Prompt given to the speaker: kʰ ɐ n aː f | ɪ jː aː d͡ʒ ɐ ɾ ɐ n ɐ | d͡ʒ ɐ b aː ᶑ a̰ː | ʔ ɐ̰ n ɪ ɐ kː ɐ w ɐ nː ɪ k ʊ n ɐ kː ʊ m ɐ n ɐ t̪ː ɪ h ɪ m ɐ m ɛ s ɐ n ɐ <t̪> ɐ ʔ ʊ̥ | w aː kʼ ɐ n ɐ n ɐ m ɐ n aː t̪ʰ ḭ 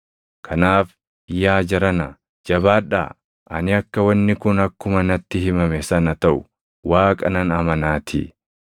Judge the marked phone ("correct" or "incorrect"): correct